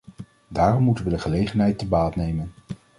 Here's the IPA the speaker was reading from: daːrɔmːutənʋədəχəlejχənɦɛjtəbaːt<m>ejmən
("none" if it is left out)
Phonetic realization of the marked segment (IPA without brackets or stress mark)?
n